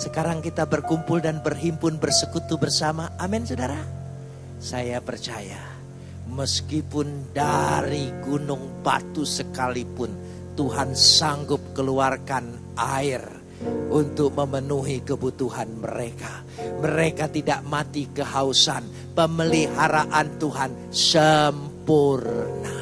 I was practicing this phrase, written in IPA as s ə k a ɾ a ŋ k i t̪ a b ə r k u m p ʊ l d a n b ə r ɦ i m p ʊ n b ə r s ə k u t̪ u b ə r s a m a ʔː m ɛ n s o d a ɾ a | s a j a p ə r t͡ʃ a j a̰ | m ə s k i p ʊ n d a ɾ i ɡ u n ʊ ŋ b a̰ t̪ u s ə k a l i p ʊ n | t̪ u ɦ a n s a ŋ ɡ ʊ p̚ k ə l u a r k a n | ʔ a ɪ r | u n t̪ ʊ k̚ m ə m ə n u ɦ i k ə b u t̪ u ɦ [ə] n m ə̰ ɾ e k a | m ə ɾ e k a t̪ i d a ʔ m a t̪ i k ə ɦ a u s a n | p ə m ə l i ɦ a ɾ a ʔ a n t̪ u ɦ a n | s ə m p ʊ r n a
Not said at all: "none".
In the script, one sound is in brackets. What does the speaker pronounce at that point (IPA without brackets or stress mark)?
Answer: a